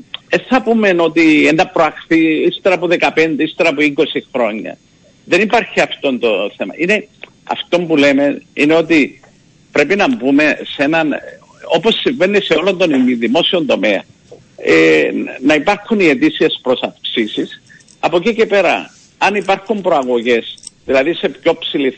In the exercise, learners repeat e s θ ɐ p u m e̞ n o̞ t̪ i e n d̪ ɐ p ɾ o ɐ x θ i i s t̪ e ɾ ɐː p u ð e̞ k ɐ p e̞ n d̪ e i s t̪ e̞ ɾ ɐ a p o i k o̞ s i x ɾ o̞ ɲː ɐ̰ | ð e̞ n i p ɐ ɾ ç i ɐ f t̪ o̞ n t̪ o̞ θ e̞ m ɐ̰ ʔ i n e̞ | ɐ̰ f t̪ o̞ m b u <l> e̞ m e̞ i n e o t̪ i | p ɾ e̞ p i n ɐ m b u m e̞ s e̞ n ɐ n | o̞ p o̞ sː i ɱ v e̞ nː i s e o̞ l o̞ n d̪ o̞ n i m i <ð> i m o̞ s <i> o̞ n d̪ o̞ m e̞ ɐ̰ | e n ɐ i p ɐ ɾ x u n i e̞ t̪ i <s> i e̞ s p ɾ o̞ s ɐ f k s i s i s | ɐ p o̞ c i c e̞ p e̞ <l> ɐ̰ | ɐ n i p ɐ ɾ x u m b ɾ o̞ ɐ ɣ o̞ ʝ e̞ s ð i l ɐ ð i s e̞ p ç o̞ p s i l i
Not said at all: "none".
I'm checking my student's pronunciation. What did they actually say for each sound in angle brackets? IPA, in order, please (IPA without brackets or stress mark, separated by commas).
l, ð, i, s, ɾ